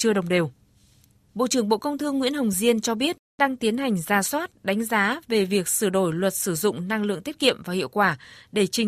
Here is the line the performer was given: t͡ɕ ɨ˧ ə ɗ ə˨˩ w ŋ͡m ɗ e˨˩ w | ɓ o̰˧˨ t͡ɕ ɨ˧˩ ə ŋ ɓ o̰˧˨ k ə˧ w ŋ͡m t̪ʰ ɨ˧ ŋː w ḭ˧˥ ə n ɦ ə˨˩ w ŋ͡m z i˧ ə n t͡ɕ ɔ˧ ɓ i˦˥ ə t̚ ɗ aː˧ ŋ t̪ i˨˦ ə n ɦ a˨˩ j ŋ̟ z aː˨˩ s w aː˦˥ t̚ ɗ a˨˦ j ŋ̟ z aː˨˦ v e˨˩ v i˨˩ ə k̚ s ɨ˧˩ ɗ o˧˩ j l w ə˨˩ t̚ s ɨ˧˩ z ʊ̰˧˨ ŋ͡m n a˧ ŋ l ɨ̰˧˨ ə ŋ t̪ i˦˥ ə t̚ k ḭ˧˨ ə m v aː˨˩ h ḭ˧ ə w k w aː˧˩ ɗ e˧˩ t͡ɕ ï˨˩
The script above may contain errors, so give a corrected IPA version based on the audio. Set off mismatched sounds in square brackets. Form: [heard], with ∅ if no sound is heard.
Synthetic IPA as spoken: t͡ɕ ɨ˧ ə ɗ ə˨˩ w ŋ͡m ɗ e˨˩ w | ɓ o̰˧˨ t͡ɕ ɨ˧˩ ə ŋ ɓ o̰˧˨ k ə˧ w ŋ͡m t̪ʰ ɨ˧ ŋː w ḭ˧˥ ə n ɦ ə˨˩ w ŋ͡m z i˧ ə n t͡ɕ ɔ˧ ɓ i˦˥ ə t̚ ɗ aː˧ ŋ t̪ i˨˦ ə n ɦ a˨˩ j ŋ̟ z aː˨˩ s w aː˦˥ t̚ ɗ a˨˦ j ŋ̟ z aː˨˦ v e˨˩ v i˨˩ ə k̚ s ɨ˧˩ ɗ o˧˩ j l w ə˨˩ t̚ s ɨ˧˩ z ʊ̰˧˨ ŋ͡m n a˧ ŋ l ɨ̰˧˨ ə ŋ t̪ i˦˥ ə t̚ k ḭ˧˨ ə m v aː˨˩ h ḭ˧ ə w k w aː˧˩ ɗ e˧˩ t͡ɕ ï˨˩